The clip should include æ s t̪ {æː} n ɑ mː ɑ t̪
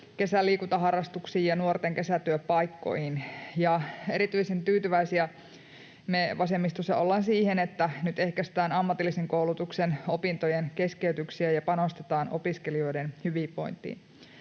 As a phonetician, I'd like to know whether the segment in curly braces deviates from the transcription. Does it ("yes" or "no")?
no